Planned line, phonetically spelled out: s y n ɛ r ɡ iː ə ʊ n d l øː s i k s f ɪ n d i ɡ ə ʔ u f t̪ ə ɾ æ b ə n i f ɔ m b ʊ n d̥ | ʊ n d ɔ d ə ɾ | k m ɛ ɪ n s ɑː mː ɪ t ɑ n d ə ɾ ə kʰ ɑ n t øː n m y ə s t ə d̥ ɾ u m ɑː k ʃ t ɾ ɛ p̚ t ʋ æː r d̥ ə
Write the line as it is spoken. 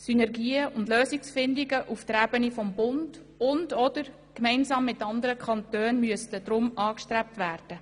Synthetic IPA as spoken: s y n ɛ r ɡ iː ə ʊ n d l øː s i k s f ɪ n d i ɡ ə ʔ u f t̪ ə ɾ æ b ə n i f ɔ m b ʊ n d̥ | ʊ n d ɔ d ə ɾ | k m ɛ ɪ n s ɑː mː ɪ t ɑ n d ə ɾ ə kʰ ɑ n t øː n m y ə s t ə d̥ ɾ ʊ m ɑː k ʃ t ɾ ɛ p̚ t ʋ æː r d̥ ə